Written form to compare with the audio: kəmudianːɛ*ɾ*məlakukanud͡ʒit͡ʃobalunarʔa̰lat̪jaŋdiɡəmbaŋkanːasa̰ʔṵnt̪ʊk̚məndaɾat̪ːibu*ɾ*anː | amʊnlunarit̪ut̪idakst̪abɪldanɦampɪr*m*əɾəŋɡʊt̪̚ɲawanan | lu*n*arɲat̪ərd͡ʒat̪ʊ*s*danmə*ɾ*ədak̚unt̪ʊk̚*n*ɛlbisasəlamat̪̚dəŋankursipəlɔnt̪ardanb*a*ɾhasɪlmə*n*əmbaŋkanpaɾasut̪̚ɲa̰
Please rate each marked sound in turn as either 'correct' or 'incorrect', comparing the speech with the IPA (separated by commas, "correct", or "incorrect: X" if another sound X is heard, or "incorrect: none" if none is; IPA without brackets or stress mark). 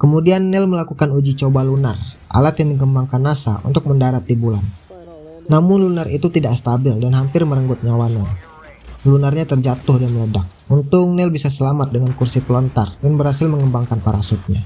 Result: incorrect: l, incorrect: l, correct, correct, incorrect: h, incorrect: l, correct, incorrect: ə, incorrect: ŋ